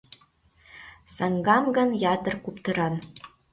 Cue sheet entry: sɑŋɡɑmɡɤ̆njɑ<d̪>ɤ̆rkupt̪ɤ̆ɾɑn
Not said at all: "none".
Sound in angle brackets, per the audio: t̪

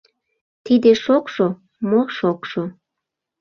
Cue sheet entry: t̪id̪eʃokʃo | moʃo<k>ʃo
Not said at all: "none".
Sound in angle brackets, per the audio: k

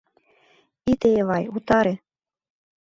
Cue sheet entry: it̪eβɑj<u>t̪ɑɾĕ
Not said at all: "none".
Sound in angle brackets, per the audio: u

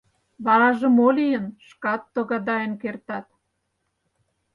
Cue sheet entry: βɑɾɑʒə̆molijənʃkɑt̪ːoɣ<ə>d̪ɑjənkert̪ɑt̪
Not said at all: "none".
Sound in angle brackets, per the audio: ɑ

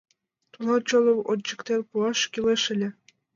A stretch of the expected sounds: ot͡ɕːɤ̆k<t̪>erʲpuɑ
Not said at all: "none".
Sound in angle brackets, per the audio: t̪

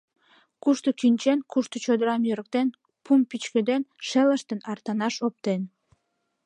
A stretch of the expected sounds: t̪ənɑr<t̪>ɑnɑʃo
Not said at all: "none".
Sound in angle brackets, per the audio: t̪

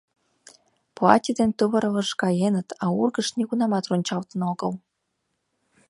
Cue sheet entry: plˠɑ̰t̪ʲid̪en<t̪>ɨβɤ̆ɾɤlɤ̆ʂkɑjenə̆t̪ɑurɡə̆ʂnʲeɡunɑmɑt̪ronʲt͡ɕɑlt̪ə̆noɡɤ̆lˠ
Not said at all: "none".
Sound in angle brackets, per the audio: t̪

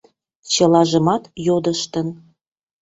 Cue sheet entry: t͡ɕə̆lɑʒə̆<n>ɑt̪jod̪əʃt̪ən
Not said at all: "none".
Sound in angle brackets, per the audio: m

